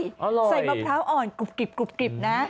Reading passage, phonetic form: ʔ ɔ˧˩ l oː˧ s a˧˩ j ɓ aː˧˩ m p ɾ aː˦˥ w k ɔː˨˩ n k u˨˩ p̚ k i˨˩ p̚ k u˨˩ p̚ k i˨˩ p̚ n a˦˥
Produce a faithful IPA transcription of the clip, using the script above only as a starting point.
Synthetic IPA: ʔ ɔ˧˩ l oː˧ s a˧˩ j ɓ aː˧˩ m pʰ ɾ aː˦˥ w ʔ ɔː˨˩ n k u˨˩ p̚ k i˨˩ p̚ k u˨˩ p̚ k i˨˩ p̚ n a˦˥

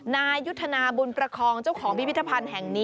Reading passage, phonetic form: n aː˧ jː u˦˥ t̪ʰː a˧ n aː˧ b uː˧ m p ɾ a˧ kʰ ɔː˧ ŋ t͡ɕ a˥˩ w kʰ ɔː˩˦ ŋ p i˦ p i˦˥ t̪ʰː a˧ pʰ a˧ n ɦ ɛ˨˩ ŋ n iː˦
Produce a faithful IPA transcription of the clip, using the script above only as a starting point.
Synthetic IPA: n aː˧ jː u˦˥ t̪ʰː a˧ n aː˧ b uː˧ n p ɾ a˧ kʰ ɔː˧ ŋ t͡ɕ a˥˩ w kʰ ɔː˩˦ ŋ p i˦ p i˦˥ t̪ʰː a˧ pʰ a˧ n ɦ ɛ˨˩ ŋ n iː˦

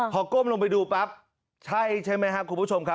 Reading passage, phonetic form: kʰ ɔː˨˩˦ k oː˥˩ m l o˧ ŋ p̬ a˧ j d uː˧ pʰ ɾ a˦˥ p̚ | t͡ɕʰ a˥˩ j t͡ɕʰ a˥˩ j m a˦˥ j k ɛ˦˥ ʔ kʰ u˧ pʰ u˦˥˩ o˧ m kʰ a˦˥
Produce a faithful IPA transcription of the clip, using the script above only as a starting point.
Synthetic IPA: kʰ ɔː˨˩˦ k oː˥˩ m l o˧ ŋ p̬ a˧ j d uː˧ p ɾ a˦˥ p̚ | t͡ɕʰ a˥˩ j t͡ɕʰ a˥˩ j m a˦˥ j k a˦˥ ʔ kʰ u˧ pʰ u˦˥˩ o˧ m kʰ a˦˥

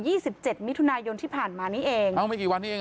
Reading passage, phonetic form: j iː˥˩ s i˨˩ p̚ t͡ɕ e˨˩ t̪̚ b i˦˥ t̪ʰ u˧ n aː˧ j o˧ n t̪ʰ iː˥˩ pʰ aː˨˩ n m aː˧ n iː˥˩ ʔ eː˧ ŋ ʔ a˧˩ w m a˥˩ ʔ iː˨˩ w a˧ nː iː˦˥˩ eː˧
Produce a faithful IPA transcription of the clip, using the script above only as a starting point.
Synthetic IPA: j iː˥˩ s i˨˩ p̚ t͡ɕ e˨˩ t̪̚ m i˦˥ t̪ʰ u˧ n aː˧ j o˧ n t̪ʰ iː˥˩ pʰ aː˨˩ n m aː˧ n iː˦˥ ʔ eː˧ ŋ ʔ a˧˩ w m a˥˩ k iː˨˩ w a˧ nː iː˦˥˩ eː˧

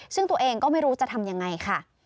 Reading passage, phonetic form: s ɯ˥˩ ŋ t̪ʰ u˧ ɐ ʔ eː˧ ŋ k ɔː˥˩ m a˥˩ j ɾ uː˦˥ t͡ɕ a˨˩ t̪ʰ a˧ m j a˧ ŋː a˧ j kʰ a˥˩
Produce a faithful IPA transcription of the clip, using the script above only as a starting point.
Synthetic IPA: s ɯ˥˩ ŋ t̪ u˧ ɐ ʔ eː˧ ŋ k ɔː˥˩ m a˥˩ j ɾ uː˦˥ t͡ɕ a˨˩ t̪ʰ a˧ m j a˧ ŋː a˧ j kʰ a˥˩

